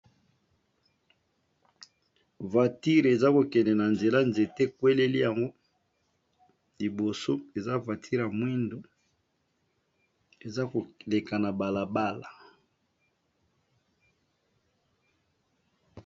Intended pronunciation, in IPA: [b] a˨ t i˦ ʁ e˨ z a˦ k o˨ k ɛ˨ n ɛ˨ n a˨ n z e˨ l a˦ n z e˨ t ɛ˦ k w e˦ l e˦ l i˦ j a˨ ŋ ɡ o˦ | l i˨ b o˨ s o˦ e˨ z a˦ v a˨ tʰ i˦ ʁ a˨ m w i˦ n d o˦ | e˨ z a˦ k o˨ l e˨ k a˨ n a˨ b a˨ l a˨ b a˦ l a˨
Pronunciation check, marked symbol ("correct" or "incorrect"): incorrect